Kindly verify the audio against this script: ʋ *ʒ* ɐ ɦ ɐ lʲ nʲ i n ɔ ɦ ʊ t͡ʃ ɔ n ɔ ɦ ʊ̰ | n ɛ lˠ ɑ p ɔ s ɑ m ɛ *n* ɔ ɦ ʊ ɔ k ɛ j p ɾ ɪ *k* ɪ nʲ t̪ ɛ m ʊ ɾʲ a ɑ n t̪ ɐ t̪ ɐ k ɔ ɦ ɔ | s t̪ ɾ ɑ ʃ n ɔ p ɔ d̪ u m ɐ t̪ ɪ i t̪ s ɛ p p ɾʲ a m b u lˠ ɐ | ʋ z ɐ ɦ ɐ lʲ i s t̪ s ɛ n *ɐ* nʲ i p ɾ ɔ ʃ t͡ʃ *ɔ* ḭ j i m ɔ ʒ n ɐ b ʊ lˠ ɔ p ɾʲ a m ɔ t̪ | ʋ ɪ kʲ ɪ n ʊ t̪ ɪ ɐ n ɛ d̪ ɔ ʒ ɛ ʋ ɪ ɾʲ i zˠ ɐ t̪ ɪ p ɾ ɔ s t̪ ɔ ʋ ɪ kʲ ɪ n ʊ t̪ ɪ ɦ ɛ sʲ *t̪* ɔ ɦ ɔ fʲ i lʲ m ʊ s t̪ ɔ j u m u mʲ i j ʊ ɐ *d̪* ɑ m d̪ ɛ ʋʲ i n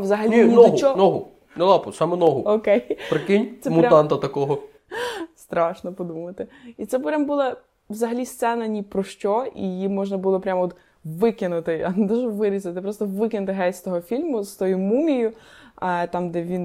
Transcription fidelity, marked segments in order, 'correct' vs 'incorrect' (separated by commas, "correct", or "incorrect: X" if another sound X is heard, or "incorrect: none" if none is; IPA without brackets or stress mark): incorrect: z, correct, correct, correct, correct, correct, incorrect: t̪